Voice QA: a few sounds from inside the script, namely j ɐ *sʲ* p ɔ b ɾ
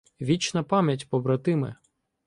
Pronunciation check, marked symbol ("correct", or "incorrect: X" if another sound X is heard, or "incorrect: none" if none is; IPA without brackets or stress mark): incorrect: tʲ